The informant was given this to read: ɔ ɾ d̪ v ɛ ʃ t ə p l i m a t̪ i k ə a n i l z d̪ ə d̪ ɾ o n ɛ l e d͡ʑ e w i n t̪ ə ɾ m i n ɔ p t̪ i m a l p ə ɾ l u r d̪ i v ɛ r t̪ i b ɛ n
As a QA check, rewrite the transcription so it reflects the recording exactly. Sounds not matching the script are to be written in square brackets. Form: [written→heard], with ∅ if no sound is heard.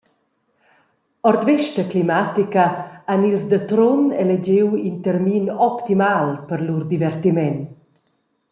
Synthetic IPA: ɔ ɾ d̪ v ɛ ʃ t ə [p→k] l i m a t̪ i k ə a n i l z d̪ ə [d̪→t̪] ɾ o n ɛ l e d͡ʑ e w i n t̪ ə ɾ m i n ɔ p t̪ i m a l p ə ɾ l u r d̪ i v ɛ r t̪ i [b→m] ɛ n